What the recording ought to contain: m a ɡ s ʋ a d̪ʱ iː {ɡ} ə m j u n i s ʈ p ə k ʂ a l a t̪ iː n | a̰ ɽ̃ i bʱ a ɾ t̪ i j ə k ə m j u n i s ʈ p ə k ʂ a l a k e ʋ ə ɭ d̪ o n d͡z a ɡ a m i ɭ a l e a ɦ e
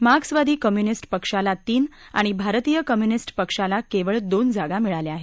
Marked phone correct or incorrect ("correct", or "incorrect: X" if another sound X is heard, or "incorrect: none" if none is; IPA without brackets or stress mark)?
incorrect: k